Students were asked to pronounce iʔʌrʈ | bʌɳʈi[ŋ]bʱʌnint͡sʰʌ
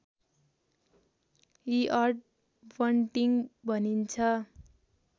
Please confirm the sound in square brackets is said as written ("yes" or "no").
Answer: yes